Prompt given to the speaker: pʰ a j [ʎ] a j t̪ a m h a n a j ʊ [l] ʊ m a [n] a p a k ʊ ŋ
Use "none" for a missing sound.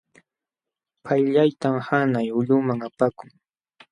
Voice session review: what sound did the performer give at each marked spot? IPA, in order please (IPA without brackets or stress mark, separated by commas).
ʎ, ʎ, ŋ